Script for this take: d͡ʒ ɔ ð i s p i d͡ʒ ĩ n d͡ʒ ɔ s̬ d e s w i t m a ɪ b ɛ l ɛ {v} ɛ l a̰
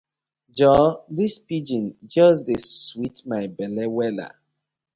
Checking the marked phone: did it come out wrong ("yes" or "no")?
yes